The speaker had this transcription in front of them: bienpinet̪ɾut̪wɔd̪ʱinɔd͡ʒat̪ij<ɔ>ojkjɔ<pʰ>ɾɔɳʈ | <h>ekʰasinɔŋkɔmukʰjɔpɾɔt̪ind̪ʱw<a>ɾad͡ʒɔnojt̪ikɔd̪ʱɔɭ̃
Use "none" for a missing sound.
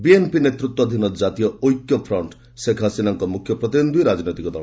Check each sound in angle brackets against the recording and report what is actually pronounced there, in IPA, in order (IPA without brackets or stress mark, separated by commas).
ɔ, pʰ, s, i